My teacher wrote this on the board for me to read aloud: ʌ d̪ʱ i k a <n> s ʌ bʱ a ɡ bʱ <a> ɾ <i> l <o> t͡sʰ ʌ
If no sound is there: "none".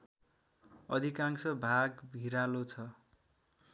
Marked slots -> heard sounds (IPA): ŋ, i, a, o

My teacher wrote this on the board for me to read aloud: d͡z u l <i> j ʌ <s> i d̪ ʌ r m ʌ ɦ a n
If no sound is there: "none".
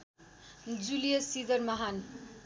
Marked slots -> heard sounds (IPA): i, s

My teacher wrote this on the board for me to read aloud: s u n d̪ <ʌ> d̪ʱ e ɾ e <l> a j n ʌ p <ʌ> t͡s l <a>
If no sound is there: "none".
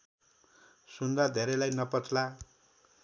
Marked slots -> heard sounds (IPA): a, l, ʌ, a

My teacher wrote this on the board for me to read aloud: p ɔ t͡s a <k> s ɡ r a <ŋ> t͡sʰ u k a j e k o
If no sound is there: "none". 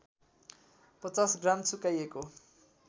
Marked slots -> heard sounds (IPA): none, m

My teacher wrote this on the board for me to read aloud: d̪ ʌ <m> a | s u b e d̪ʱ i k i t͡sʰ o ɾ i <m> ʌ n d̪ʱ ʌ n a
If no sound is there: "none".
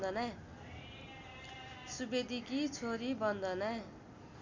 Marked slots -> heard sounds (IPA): n, b

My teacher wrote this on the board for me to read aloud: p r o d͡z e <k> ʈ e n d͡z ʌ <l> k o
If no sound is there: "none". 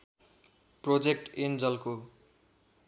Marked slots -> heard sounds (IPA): k, l

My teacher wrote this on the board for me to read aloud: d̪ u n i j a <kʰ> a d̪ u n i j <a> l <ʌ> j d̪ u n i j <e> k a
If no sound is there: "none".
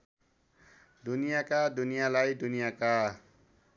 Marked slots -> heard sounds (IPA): k, a, a, a

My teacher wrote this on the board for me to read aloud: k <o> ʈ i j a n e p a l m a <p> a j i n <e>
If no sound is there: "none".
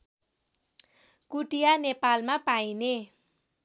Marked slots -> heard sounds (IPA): u, p, e

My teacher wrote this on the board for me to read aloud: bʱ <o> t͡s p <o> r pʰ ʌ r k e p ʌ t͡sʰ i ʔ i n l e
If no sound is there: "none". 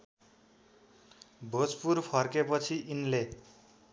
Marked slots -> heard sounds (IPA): o, u

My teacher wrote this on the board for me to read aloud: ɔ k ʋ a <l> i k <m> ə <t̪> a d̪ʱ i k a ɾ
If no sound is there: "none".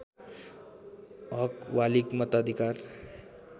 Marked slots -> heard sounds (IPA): l, m, t̪

